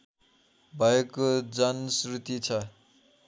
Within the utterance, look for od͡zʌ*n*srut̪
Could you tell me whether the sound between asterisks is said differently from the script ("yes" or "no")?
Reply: no